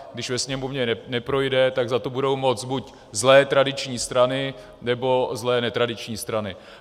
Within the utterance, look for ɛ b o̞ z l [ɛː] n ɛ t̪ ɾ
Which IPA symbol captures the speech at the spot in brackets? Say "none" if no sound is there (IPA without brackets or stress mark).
ɛː